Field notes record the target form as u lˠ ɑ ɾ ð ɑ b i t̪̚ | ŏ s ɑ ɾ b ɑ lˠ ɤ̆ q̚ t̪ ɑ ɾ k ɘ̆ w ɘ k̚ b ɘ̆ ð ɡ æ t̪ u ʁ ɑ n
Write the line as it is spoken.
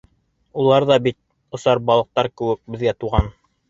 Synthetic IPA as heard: u lˠ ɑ ɾ ð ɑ b i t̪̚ | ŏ s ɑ ɾ b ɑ lˠ ɤ̆ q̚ t̪ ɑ ɾ k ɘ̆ w ɘ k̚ b ɘ̆ ð ɡ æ t̪ u ʁ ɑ n